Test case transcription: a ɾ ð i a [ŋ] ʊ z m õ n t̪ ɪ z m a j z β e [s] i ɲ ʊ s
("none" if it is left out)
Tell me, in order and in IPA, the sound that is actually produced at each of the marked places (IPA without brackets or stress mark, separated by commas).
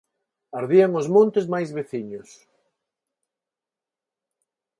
ŋ, θ